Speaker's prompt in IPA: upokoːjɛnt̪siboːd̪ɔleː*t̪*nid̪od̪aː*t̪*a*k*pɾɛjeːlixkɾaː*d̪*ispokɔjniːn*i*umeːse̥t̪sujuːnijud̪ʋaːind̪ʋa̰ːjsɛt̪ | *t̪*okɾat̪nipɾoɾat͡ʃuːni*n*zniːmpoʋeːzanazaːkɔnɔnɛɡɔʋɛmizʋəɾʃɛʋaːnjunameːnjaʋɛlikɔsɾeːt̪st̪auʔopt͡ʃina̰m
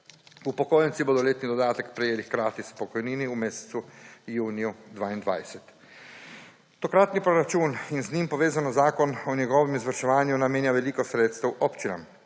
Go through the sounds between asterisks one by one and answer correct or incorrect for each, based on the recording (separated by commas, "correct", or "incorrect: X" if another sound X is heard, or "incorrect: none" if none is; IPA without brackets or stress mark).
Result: correct, correct, correct, incorrect: t̪, correct, correct, correct